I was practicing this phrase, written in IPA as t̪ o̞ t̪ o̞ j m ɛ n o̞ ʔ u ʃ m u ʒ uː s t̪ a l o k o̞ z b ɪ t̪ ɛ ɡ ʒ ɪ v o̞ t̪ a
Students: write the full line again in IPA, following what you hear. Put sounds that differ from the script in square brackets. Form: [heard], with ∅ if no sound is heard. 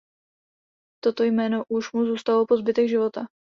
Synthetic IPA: t̪ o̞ t̪ o̞ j m [ɛː] n o̞ ʔ u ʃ m u [z] uː s t̪ a l o [p] o̞ z b ɪ t̪ ɛ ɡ ʒ ɪ v o̞ t̪ a